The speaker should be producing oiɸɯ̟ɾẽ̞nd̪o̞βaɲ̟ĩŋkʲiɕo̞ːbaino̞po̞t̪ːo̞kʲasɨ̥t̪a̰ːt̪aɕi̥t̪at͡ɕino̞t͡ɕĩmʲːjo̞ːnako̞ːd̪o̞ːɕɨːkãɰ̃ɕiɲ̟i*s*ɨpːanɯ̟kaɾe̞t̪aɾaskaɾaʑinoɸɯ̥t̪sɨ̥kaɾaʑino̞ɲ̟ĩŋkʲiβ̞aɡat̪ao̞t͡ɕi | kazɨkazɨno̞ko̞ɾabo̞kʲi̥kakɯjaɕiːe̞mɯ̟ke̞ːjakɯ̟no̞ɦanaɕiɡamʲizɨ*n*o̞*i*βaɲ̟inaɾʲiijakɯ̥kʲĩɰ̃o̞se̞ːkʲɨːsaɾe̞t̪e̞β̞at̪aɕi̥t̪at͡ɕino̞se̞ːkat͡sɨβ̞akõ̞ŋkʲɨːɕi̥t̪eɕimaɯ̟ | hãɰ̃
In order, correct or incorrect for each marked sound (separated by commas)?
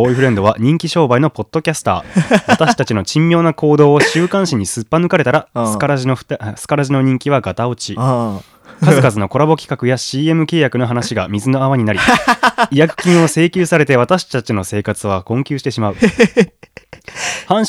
correct, correct, incorrect